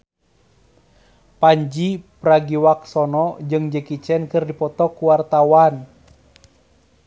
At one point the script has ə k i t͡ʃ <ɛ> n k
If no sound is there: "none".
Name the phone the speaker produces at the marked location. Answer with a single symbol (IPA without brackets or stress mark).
ɛ